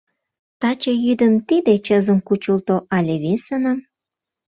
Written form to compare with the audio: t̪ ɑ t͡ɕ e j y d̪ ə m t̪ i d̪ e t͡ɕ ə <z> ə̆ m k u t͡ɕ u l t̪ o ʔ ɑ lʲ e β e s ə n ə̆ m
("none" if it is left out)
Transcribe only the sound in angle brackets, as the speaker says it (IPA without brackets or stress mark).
z